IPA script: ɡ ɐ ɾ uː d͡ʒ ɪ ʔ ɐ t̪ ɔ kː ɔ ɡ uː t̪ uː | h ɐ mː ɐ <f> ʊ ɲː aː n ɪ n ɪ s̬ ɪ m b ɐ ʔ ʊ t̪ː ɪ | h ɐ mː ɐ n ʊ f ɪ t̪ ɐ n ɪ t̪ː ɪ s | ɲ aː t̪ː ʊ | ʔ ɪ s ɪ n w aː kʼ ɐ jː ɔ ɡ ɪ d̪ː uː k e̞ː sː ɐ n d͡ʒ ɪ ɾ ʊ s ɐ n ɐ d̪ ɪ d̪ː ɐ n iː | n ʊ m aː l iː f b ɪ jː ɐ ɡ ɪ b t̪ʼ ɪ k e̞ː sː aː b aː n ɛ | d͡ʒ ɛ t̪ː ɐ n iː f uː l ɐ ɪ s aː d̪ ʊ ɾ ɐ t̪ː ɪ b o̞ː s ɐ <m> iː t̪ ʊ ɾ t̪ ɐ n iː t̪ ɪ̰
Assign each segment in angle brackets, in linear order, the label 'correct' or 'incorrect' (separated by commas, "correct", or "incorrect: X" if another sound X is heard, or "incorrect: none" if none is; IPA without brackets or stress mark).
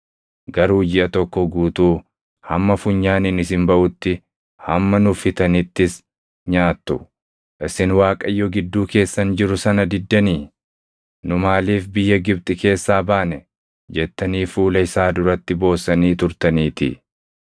correct, incorrect: n